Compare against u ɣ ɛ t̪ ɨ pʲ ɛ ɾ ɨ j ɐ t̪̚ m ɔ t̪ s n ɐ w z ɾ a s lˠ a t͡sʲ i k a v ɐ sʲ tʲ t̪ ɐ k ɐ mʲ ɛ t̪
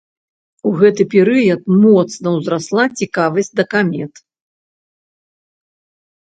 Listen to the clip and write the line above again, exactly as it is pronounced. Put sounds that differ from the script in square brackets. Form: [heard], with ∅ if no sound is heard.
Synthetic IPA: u ɣ ɛ t̪ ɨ pʲ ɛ ɾ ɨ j ɐ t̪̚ m ɔ t̪ s n ɐ w z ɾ a s lˠ a t͡sʲ i k a v ɐ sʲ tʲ [d̪] ɐ k [a] mʲ ɛ t̪